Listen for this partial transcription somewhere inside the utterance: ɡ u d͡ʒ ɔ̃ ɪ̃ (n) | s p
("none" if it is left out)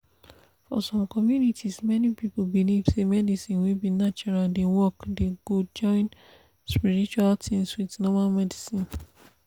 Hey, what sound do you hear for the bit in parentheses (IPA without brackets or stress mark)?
n